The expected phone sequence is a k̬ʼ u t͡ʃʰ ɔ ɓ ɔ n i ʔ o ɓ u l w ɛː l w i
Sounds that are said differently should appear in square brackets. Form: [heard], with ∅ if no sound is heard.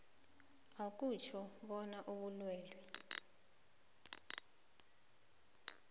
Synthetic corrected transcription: a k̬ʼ u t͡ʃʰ ɔ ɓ ɔ n [a] ʔ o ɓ u l w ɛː l w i